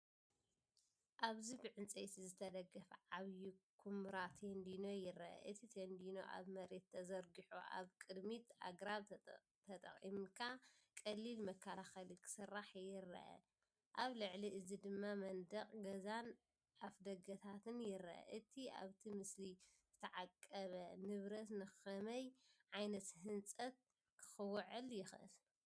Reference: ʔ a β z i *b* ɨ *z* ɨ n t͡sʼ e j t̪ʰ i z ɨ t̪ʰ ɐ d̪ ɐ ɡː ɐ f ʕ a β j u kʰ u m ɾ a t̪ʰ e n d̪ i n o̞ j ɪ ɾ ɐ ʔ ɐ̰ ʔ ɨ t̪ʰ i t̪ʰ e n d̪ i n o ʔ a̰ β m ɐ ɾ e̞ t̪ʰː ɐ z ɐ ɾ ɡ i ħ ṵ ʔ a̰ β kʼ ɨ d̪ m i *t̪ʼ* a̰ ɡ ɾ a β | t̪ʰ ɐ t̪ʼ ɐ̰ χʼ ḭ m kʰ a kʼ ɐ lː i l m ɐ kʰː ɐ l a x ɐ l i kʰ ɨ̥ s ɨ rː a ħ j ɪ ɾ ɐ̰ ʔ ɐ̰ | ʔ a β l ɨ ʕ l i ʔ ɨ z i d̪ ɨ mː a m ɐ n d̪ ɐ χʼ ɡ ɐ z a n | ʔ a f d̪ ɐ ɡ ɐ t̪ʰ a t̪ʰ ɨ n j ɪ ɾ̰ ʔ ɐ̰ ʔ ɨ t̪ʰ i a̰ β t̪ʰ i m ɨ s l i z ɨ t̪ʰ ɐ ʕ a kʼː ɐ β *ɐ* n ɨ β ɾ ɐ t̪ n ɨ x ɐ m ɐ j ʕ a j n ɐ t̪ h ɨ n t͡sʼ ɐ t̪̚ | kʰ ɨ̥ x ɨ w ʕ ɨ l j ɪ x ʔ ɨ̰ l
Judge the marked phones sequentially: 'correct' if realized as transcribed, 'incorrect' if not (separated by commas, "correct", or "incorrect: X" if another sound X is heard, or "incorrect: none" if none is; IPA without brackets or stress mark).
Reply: correct, incorrect: ʕ, incorrect: t̪, correct